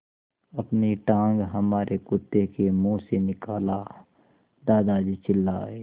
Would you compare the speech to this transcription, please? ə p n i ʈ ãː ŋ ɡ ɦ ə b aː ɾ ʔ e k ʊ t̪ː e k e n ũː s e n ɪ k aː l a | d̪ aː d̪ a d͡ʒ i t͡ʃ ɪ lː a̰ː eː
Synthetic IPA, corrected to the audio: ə p n i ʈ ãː ŋ ɡ ɦ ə m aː ɾ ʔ e k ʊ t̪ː e k e m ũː s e n ɪ k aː l a | d̪ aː d̪ a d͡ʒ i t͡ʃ ɪ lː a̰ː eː